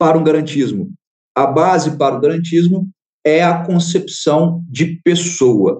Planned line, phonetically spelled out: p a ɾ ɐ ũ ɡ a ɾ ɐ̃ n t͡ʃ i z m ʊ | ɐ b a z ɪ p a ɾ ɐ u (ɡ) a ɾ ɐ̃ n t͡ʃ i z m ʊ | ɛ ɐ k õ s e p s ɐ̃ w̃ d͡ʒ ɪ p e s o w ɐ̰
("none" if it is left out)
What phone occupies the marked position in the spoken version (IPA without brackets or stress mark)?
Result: ɡ